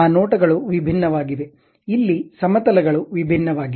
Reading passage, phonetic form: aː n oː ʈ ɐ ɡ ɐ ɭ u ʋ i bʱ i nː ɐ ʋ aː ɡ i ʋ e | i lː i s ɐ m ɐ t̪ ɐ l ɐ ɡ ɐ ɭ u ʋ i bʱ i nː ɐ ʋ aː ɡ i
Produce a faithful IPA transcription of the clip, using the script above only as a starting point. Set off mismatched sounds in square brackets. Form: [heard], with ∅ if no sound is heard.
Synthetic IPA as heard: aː n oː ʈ ɐ ɡ ɐ ɭ u ʋ i bʱ i nː ɐ ʋ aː ɡ i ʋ e | i lː i s ɐ m ɐ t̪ ɐ l ɐ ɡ ɐ ɭ u ʋ i bʱ i nː ɐ ʋ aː ɡ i